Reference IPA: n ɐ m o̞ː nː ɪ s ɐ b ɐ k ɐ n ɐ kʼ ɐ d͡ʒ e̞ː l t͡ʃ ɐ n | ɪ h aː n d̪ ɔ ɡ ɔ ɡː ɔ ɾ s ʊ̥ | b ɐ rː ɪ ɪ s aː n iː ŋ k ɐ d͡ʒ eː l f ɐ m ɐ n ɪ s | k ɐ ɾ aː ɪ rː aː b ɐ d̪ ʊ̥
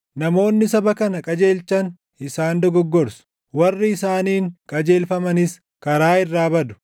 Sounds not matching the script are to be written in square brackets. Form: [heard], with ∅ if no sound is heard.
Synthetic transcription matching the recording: n ɐ m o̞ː nː ɪ s ɐ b ɐ k ɐ n ɐ kʼ ɐ d͡ʒ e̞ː l t͡ʃ ɐ n | ɪ [s] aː n d̪ ɔ ɡ ɔ ɡː ɔ ɾ s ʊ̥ | [w] ɐ rː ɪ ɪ s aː n iː ŋ [kʼ] ɐ d͡ʒ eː l f ɐ m ɐ n ɪ s | k ɐ ɾ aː ɪ rː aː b ɐ d̪ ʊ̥